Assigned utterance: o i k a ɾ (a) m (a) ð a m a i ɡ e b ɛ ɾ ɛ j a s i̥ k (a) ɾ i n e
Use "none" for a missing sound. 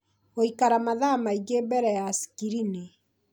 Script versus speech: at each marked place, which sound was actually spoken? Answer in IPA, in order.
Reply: a, a, i

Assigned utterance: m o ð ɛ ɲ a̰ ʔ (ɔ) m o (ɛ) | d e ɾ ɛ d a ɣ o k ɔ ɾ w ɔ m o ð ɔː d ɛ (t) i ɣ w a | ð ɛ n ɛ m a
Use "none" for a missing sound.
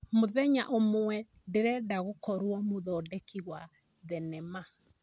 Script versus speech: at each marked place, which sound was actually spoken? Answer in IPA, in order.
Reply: o, ɛ, k

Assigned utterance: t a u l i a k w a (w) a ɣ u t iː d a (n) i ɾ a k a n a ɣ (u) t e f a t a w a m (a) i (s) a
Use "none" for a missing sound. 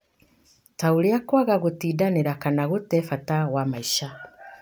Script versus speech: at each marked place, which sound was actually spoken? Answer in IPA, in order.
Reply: ɣ, n, u, a, ʃ

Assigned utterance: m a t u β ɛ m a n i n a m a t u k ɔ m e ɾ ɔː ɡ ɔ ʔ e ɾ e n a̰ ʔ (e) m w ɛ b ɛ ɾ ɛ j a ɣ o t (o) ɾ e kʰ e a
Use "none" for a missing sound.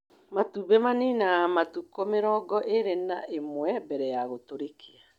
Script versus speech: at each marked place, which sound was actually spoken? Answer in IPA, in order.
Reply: e, o

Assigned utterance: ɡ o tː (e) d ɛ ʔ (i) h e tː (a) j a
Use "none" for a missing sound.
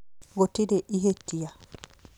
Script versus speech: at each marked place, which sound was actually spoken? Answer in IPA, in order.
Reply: i, i, i

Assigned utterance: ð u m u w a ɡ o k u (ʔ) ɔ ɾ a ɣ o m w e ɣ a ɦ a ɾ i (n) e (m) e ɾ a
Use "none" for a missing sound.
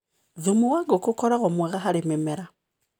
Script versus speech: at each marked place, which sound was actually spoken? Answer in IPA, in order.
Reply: k, m, m

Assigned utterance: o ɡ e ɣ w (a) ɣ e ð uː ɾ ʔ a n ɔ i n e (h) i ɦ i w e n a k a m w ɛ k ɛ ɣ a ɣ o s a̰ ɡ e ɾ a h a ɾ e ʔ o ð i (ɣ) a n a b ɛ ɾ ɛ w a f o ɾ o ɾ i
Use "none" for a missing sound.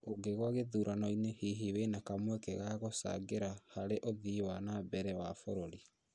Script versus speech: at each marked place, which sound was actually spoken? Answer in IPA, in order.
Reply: a, h, w

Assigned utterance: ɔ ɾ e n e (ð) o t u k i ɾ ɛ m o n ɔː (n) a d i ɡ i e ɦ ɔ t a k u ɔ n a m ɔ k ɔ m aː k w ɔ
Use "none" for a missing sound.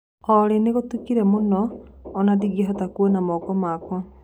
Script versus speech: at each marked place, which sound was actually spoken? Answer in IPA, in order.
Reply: ɣ, n

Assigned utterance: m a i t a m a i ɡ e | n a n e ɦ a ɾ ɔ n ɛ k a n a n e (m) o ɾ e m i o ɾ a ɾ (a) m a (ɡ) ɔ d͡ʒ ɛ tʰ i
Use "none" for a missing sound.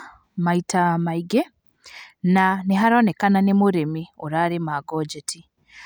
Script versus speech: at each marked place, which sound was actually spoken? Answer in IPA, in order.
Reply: m, e, ɡ

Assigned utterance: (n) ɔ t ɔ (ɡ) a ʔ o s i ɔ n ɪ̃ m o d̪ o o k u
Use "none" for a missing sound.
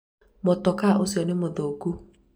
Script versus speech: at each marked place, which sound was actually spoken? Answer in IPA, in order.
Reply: m, k

